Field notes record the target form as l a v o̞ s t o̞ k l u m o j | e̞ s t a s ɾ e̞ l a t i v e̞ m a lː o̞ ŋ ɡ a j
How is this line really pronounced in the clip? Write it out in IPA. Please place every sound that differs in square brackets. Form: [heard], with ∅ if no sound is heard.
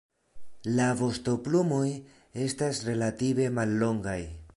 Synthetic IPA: l a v o̞ s t o̞ [p] l u m o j | e̞ s t a s ɾ e̞ l a t i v e̞ m a lː o̞ ŋ ɡ a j